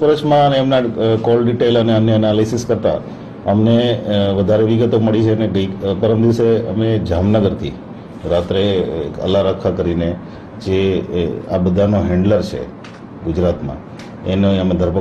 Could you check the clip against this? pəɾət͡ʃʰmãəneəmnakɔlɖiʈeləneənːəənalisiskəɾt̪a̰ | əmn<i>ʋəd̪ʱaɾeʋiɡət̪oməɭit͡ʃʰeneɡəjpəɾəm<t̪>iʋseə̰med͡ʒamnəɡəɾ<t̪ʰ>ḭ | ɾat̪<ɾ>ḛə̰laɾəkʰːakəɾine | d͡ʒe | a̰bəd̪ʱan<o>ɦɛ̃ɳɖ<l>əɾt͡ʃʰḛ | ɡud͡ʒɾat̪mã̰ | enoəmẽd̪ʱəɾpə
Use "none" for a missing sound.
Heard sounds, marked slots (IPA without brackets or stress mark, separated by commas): e, d̪, t̪ʰ, ɾ, o, l